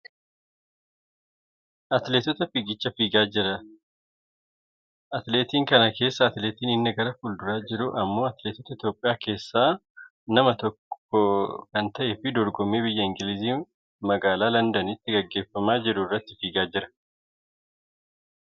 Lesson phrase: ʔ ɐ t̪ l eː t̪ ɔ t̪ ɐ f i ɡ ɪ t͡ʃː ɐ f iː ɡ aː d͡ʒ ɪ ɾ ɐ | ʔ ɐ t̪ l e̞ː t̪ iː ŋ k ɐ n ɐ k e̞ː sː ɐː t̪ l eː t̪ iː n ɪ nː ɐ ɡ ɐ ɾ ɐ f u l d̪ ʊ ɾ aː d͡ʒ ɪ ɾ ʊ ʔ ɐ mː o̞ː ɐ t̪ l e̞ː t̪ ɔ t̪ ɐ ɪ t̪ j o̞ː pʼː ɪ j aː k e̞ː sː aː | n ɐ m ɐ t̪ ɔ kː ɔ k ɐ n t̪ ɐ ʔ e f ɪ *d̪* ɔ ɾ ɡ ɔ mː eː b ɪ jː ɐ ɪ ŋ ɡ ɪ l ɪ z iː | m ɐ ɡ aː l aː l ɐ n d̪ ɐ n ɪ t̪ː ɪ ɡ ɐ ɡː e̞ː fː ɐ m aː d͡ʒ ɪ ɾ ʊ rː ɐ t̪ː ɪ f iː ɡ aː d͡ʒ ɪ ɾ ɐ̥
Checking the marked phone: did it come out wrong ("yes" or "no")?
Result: no